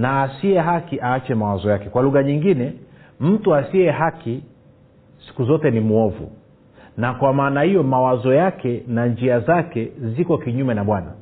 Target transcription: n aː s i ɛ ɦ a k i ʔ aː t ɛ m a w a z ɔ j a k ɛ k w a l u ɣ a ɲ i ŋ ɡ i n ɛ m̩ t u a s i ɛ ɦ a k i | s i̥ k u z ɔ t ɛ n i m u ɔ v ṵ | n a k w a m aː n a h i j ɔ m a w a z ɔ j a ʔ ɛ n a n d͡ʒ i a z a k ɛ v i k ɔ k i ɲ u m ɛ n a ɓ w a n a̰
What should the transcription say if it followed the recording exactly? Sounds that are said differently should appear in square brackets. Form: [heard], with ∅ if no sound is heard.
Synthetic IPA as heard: n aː s i ɛ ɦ a k i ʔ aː [t͡ʃ] ɛ m a w a z ɔ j a k ɛ k w a l u ɣ a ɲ i ŋ ɡ i n ɛ m̩ t u a s i ɛ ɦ a k i | s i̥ k u z ɔ t ɛ n i m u ɔ v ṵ | n a k w a m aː n a h i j ɔ m a w a z ɔ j a [k] ɛ n a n d͡ʒ i a z a k ɛ [z] i k ɔ k i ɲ u m ɛ n a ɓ w a n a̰